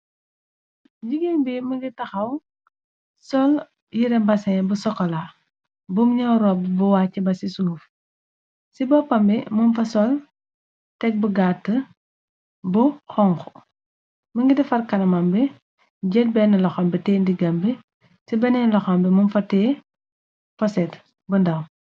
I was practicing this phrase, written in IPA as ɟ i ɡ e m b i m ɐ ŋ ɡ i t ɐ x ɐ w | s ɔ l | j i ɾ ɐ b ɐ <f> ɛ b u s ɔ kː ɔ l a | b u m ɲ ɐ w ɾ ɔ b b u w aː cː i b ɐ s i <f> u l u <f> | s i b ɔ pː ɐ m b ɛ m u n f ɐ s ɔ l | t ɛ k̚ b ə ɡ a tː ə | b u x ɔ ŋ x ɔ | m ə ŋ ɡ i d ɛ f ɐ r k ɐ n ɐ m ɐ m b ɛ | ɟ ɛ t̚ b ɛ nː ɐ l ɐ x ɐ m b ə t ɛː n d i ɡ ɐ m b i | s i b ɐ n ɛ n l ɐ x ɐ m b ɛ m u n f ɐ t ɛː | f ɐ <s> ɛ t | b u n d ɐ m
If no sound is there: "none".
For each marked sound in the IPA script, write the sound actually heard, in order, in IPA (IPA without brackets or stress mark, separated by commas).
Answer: s, s, f, s